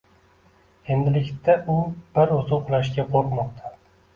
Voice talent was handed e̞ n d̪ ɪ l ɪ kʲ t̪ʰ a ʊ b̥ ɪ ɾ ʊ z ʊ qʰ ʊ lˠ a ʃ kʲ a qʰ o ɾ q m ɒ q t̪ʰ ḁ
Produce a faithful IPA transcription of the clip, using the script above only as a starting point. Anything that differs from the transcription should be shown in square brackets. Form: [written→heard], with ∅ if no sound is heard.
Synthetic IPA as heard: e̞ n d̪ ɪ l ɪ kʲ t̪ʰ a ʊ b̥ ɪ ɾ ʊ z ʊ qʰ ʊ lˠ a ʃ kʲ a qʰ o ɾ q m ɒ q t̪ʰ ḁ